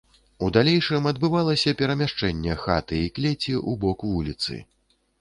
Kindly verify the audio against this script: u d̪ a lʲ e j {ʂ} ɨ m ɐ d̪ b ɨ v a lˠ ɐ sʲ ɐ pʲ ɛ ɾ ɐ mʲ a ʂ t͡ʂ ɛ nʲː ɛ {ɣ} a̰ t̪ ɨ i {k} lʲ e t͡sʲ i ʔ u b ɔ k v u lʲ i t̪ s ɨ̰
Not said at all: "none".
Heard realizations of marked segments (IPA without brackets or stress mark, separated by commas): ʂ, x, k